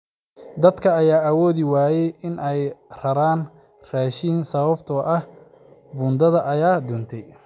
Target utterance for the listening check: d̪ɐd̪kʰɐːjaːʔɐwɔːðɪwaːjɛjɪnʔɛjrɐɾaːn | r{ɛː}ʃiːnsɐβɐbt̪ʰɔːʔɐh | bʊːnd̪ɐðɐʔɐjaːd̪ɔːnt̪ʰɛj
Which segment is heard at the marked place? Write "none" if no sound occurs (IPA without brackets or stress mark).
aː